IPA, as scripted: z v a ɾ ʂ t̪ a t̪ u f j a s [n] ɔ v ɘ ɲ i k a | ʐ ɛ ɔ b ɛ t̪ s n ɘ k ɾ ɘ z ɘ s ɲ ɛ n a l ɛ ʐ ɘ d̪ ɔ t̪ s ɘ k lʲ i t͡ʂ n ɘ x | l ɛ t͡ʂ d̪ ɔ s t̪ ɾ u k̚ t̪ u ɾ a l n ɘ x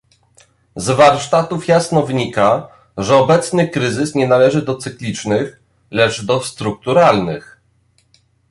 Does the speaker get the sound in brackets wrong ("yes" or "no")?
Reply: no